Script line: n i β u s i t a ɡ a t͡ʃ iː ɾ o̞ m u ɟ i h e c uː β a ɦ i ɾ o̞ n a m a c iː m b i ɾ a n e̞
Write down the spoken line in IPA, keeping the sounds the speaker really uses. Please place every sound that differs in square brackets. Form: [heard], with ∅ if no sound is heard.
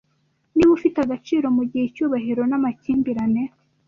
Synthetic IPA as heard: n i β u [f] i t a ɡ a t͡ʃ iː ɾ o̞ m u ɟ i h e c uː β a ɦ i ɾ o̞ n a m a c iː m b i ɾ a n e̞

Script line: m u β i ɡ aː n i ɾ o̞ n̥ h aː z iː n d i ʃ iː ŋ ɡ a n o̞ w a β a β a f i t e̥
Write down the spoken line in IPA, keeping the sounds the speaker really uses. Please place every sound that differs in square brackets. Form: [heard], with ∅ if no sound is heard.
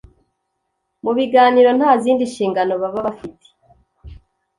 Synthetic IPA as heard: m u β i ɡ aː n i ɾ o̞ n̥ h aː z iː n d i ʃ iː ŋ ɡ a n o̞ [β] a β a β a f i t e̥

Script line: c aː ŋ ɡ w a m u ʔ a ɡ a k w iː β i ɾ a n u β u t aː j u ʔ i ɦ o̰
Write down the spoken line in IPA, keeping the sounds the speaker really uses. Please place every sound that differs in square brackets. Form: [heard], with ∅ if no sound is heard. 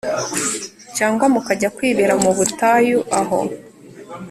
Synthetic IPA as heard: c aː ŋ ɡ w a m u [k] a [ɟ] a k w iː β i ɾ a [m] u β u t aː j u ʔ [a] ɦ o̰

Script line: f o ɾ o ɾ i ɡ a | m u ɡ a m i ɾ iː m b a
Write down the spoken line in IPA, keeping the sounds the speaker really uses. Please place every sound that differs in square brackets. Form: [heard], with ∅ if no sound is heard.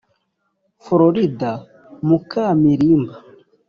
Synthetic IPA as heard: f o ɾ o ɾ i [d] a | m u [k] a m i ɾ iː m b a

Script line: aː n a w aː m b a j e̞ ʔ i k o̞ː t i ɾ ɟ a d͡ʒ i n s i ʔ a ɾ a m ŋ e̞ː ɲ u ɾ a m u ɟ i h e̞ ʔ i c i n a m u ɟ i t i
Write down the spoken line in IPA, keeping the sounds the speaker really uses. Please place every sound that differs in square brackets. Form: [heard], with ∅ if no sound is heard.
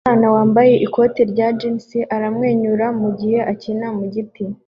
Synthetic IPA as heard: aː n a w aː m b a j e̞ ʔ i k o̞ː t i ɾ ɟ a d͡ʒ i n s i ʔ a ɾ a m ŋ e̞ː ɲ u ɾ a m u ɟ i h e̞ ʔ [a] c i n a m u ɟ i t i

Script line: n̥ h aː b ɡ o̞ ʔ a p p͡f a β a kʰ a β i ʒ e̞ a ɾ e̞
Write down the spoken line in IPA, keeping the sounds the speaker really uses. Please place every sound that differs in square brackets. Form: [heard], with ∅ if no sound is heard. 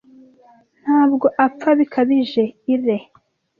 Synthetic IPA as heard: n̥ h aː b ɡ o̞ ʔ a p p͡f a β [i] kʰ a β i ʒ e̞ [i] ɾ e̞

